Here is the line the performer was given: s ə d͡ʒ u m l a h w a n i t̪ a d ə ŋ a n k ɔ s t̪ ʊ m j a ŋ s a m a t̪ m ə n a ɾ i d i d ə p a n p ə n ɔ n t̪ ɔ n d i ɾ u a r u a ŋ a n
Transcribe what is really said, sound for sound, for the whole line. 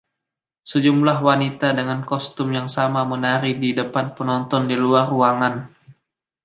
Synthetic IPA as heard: s ə d͡ʒ u m l a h w a n i t̪ a d ə ŋ a n k ɔ s t̪ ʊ m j a ŋ s a m a m ə n a ɾ i d i d ə p a n p ə n ɔ n t̪ ɔ n d i l u a r u a ŋ a n

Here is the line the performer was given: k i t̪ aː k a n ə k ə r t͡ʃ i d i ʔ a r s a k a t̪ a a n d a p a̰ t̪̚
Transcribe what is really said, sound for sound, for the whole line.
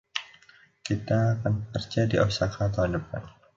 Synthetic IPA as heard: k i t̪ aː k a n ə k ə r t͡ʃ a d i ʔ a s a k a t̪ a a n d ə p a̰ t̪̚

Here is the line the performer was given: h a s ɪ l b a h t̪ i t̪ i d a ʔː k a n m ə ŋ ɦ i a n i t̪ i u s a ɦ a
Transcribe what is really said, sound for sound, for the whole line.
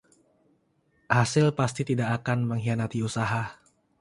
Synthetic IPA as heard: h a s ɪ l p a s t̪ i t̪ i d a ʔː k a n m ə ŋ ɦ i a n a t̪ i u s a ɦ a

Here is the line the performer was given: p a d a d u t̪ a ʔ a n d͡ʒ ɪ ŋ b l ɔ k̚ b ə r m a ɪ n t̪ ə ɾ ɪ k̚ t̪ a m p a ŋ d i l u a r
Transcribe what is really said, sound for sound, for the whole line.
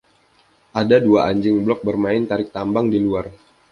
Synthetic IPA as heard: ʔ a d a d u a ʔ a ɲ d͡ʒ ɪ ŋ b l ɔ k̚ b ə r m a ɪ n t̪ a ɾ ɪ k̚ t̪ a m b a ŋ d i l u a r

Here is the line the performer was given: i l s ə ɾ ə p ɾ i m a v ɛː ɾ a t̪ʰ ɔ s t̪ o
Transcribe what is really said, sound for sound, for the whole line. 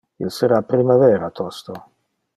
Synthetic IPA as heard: i l s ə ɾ a p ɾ i m a v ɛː ɾ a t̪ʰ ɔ s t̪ o

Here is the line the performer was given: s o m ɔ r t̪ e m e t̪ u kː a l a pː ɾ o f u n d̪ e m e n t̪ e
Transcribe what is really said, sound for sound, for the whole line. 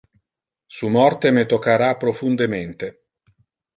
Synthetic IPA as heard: s u m ɔ r t̪ e m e t̪ o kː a ɾ a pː ɾ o f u n d̪ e m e n t̪ e

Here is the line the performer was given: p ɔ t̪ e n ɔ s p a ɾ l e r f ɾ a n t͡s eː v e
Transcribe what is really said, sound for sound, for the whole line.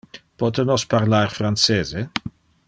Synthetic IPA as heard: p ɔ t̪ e n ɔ s p a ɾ l a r f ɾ a n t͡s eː z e

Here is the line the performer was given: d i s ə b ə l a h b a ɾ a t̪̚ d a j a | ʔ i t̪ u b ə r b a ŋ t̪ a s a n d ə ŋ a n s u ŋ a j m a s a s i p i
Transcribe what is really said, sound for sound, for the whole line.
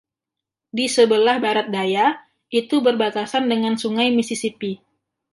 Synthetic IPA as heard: d i s ə b ə l a h b a ɾ a t̪̚ d a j a | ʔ i t̪ u b ə r b a t̪ a s a n d ə ŋ a n s u ŋ a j m i s i s i p i

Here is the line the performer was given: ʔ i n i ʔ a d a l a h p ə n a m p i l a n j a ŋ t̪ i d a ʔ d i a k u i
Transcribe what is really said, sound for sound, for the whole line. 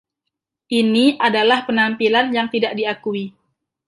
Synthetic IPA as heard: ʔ i n i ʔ a d a l a h p ə n a m p i l a n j a ŋ t̪ i d a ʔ d i a k u i

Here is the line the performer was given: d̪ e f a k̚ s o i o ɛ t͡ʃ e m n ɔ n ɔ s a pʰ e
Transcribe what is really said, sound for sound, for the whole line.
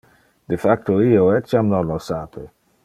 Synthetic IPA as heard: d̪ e f a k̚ t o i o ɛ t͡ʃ a m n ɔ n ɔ s a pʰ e

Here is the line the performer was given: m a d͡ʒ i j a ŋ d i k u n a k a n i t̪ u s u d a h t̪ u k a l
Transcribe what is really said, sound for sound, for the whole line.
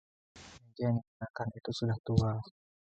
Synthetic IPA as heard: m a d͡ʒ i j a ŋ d i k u n a k a n i t̪ u s u d a h t̪ u a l

